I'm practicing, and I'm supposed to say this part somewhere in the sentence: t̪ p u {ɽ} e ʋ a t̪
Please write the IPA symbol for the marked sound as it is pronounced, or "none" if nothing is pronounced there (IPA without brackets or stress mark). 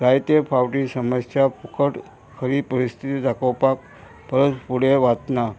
ɽ